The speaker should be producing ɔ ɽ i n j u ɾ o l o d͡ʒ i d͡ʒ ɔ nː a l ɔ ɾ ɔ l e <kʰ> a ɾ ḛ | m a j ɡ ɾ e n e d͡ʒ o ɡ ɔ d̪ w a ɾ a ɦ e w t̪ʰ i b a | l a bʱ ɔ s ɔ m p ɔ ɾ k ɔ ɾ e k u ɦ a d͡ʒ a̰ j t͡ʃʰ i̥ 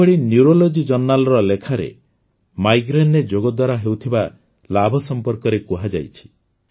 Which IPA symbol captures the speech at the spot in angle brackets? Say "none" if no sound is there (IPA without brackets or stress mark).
kʰ